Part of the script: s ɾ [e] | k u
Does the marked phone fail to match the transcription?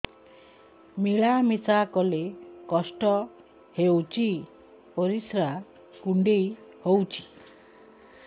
yes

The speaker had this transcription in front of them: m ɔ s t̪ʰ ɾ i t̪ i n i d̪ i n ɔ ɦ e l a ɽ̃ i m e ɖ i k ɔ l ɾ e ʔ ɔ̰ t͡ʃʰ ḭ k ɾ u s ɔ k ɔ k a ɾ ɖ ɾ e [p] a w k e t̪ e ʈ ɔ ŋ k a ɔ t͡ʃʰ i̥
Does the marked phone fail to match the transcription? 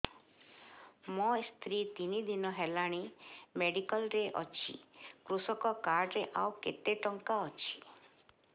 yes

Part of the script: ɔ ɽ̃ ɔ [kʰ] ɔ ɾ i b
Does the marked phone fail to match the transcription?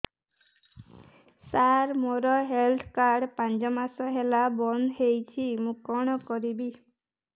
yes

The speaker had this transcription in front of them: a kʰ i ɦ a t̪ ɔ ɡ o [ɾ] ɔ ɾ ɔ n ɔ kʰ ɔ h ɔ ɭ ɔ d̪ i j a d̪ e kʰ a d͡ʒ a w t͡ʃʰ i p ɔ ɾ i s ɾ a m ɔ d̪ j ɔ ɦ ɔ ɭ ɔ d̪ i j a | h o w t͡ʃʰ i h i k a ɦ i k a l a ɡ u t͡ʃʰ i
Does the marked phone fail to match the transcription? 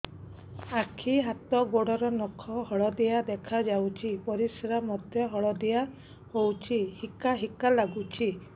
yes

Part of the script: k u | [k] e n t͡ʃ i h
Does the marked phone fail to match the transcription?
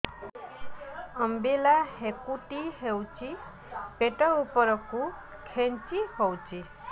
yes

